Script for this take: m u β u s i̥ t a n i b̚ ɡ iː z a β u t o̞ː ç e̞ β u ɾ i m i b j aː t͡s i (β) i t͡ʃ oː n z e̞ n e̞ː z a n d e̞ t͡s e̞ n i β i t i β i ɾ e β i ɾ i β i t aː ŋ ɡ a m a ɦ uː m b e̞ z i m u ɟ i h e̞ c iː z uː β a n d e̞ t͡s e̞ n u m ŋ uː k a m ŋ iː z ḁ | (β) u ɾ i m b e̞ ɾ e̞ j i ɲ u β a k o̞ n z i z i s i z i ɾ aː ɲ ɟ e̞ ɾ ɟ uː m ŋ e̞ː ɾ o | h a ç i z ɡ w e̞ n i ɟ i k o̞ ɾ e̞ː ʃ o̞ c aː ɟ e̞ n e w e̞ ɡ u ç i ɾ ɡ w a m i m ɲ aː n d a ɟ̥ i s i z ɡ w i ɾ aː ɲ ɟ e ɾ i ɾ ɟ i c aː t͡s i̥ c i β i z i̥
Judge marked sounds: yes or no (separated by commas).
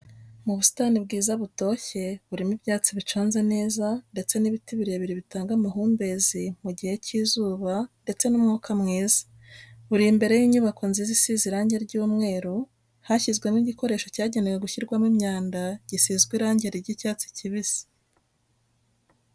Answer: yes, yes